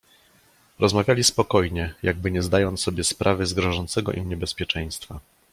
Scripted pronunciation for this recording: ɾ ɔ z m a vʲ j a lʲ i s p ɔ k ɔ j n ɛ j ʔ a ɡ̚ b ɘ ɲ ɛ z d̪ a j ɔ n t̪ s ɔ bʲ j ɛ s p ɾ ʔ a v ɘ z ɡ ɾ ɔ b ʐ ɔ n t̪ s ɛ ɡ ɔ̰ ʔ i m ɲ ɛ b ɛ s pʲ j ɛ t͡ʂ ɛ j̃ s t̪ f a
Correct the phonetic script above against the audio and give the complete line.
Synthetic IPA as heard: ɾ ɔ z m a vʲ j a lʲ i s p ɔ k ɔ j ɲ ɛ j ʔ a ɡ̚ b ɘ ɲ ɛ z d̪ a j ɔ n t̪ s ɔ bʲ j ɛ s p ɾ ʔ a v ɘ z ɡ ɾ ɔ ʐ ɔ n t̪ s ɛ ɡ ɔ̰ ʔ i m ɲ ɛ b ɛ s pʲ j ɛ t͡ʂ ɛ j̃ s t̪ f a